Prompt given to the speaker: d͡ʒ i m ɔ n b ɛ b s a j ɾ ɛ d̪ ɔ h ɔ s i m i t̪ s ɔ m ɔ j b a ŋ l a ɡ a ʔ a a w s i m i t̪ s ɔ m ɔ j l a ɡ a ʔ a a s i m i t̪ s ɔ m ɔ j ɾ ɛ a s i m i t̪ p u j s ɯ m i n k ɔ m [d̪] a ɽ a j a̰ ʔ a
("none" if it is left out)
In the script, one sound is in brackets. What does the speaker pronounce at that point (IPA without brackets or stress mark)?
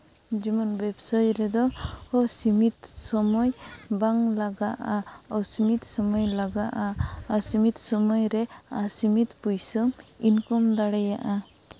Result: d̪